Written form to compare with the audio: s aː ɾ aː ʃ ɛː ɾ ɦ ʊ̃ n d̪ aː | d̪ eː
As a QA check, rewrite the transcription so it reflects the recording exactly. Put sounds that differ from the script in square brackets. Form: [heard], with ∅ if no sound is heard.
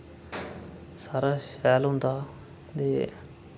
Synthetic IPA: s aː ɾ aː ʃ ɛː [l] ɦ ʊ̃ n d̪ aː | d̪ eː

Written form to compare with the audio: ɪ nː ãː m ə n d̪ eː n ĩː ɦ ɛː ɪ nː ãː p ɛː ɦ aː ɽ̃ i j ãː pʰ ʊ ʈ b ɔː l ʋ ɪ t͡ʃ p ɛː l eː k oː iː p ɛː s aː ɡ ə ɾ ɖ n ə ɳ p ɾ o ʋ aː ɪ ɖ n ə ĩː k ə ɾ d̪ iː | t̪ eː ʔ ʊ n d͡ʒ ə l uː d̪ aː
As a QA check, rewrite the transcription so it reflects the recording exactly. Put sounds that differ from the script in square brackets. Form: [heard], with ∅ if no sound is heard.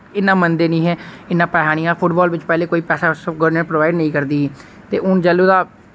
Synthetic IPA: ɪ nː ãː m ə n d̪ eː n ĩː ɦ ɛː ɪ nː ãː p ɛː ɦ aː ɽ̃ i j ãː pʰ ʊ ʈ b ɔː l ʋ ɪ t͡ʃ p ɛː l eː k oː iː p ɛː s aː ɡ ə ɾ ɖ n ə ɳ p ɾ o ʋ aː ɪ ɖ n ə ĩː k ə ɾ d̪ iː | t̪ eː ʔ ʊ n d͡ʒ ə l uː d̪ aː

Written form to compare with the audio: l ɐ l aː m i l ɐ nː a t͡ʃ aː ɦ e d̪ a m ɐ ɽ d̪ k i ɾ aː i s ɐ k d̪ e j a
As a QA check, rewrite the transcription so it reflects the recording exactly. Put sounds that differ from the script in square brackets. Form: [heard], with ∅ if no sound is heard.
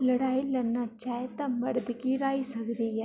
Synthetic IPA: l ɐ [ɽ] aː [∅] i l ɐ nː a t͡ʃ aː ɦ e [t̪] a m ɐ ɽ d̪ k i ɾ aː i s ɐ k d̪ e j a

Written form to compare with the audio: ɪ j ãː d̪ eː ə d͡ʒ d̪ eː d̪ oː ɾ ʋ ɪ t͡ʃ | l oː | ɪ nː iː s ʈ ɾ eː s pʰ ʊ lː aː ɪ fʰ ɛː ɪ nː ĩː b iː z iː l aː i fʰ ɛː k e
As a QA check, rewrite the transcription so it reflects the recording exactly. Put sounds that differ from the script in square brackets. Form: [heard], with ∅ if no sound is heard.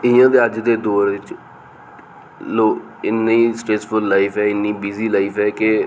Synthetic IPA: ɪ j ãː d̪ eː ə d͡ʒ d̪ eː d̪ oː ɾ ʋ ɪ t͡ʃ | l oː | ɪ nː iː s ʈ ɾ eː s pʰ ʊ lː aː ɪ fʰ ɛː ɪ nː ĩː b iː z iː l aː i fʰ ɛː k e

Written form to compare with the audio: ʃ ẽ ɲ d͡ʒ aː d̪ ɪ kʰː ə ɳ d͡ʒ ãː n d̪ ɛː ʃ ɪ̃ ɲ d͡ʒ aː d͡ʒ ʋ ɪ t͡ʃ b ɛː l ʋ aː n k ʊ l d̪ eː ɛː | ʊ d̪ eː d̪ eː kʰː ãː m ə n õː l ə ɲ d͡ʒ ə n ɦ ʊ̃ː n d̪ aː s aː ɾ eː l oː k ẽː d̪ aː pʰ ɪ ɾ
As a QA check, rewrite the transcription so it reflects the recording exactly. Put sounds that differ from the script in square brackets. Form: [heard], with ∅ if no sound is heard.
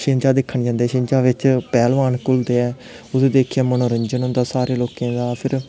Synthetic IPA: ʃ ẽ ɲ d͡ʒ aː d̪ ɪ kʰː ə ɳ d͡ʒ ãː n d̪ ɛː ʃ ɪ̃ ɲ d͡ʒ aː [∅] ʋ ɪ t͡ʃ [p] ɛː l ʋ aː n k ʊ l d̪ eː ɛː | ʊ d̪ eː d̪ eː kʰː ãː m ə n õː [ɾ] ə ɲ d͡ʒ ə n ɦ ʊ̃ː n d̪ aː s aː ɾ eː l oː k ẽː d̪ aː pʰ ɪ ɾ

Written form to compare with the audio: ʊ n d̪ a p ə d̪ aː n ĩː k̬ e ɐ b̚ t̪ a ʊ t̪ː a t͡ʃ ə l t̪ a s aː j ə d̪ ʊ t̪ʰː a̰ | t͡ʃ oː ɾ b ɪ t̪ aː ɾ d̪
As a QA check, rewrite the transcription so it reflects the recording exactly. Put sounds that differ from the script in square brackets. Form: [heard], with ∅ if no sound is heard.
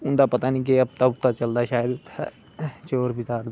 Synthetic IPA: ʊ n d̪ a p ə [t̪] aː n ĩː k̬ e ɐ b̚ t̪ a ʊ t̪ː a t͡ʃ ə l [d̪] a [ʃ] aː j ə d̪ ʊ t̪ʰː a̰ | t͡ʃ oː ɾ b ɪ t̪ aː ɾ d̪

